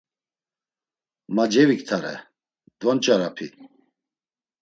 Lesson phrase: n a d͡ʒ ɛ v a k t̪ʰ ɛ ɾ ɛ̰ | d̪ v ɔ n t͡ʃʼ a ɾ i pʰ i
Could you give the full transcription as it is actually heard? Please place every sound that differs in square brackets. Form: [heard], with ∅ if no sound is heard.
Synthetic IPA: [m] a d͡ʒ ɛ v [i] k t̪ʰ [a] ɾ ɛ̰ | d̪ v ɔ n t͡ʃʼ a ɾ [a] pʰ i